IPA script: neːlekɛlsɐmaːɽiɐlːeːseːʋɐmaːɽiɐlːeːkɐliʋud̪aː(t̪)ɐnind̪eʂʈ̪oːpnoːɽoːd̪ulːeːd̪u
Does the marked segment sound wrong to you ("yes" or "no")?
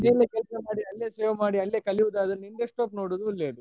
yes